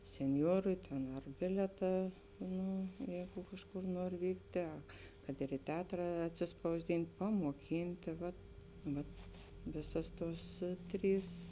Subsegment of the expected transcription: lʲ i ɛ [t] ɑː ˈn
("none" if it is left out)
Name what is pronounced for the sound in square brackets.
t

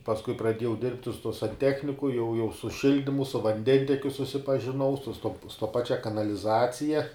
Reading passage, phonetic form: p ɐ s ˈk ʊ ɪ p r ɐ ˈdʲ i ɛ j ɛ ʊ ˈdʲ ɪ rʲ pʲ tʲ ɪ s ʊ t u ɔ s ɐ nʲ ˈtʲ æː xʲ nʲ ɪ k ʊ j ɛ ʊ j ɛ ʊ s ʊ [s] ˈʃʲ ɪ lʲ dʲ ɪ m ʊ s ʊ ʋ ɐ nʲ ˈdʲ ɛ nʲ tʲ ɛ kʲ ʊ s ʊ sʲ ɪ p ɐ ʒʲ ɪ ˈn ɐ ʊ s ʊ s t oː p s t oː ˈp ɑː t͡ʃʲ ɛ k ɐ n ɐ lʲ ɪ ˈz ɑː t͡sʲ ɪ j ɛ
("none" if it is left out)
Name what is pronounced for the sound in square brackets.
none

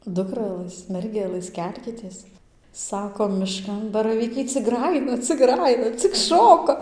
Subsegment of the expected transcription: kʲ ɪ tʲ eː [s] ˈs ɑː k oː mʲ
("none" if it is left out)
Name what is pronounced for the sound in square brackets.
s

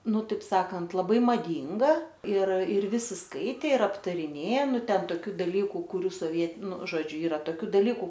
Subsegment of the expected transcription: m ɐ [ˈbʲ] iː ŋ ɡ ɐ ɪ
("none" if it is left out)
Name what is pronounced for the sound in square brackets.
dʲ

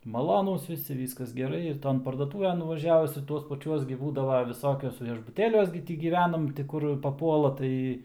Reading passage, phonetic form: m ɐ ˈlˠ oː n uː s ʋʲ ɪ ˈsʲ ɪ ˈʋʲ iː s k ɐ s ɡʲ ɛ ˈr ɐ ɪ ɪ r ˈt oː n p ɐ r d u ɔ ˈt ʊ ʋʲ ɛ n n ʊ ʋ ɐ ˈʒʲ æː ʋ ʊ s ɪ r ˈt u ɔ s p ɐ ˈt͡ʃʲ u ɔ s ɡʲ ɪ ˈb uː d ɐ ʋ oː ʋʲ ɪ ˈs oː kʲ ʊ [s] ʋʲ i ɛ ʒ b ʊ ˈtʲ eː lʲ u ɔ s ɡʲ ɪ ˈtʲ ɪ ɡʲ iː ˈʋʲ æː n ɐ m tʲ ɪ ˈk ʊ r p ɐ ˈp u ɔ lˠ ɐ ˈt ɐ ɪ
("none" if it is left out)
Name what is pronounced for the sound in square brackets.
s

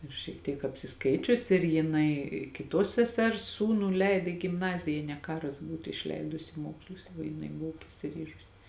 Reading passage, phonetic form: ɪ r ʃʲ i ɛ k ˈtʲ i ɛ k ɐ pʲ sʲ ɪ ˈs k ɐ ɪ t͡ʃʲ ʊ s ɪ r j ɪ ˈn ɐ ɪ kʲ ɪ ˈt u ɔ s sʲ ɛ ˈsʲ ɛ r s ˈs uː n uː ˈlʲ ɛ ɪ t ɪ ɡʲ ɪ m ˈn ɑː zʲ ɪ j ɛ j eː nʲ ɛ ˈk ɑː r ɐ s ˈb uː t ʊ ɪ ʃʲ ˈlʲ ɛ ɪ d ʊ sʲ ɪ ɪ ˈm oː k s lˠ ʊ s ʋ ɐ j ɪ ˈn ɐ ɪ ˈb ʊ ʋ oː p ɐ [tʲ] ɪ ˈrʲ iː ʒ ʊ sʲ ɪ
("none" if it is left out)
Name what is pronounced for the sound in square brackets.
sʲ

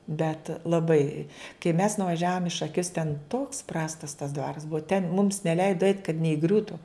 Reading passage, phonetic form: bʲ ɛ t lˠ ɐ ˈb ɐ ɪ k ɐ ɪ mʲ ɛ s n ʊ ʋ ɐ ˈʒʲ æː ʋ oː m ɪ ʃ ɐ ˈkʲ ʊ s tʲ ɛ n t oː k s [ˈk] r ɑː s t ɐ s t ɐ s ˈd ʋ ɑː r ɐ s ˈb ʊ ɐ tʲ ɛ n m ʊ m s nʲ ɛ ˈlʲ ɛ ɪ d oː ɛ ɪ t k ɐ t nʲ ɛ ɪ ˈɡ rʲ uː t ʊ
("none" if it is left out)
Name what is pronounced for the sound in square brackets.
p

